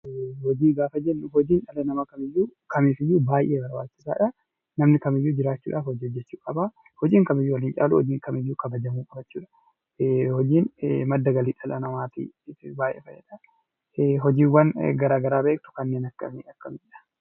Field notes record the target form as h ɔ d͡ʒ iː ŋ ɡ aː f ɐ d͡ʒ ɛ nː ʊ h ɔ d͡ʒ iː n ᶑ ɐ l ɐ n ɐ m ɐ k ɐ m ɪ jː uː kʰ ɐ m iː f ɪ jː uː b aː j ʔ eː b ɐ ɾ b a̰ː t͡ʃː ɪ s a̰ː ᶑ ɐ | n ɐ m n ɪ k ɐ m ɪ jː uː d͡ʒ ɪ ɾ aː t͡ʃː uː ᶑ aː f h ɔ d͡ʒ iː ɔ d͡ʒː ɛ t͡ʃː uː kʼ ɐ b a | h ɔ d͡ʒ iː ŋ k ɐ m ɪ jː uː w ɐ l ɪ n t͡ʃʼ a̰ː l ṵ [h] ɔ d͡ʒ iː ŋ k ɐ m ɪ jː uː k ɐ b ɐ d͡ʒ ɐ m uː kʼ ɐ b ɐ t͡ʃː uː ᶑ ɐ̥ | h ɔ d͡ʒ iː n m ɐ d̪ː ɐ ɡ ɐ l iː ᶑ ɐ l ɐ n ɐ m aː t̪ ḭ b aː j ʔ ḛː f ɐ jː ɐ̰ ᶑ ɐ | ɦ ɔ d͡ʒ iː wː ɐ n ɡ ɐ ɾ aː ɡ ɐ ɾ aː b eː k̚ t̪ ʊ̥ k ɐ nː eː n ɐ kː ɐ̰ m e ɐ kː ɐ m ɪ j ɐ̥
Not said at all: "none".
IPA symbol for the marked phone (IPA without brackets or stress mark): h